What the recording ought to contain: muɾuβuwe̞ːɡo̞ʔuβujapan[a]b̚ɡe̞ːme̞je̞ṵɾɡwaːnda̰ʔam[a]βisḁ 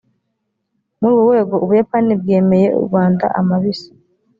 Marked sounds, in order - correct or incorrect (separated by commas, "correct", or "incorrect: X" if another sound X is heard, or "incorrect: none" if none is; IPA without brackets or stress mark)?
incorrect: i, correct